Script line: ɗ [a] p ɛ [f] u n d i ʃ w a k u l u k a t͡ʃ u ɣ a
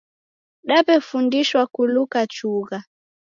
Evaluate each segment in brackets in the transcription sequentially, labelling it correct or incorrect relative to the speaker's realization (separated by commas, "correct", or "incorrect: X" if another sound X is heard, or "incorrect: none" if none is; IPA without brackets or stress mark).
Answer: correct, correct